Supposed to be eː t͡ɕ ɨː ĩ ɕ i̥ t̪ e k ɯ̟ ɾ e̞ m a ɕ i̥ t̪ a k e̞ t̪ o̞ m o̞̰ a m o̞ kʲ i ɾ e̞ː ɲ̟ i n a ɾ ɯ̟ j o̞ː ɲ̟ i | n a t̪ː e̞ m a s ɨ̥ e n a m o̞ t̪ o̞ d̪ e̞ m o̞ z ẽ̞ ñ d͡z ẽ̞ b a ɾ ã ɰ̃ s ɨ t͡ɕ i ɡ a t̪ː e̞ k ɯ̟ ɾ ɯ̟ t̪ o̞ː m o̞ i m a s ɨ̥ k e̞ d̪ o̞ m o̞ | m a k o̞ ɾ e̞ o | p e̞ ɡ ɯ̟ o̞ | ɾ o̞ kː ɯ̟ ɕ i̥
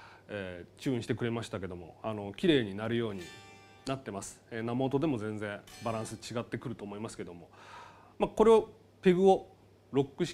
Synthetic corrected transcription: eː t͡ɕ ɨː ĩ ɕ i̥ t̪ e k ɯ̟ ɾ e̞ m a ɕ i̥ t̪ a k e̞ d̪ o̞ m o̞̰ a n o̞ kʲ i ɾ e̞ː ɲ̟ i n a ɾ ɯ̟ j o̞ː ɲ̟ i | n a t̪ː e̞ m a s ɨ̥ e n a m o̞ t̪ o̞ d̪ e̞ m o̞ z ẽ̞ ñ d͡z ẽ̞ b a ɾ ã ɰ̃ s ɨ t͡ɕ i ɡ a t̪ː e̞ k ɯ̟ ɾ ɯ̟ t̪ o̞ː m o̞ i m a s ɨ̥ k e̞ d̪ o̞ m o̞ | m a k o̞ ɾ e̞ o | p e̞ ɡ ɯ̟ o̞ | ɾ o̞ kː ɯ̟ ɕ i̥